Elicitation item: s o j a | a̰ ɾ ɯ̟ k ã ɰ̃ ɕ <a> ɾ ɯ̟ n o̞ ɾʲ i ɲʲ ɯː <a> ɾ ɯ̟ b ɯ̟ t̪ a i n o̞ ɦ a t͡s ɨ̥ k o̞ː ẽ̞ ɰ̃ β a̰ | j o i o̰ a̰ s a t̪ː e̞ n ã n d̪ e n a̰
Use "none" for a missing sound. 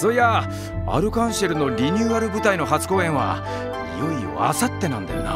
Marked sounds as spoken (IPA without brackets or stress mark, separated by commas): e, a